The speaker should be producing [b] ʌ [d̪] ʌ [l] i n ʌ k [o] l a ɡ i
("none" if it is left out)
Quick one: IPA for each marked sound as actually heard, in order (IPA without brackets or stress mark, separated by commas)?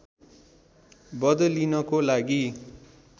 b, d̪, l, o